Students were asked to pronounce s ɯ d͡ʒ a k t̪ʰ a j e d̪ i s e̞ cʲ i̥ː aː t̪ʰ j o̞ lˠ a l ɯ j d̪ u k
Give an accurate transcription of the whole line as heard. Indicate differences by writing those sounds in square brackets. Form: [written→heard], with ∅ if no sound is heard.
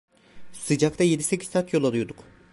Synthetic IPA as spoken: s ɯ d͡ʒ a k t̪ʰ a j e d̪ i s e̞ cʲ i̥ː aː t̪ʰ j o̞ lˠ a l [ɯ→u] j d̪ u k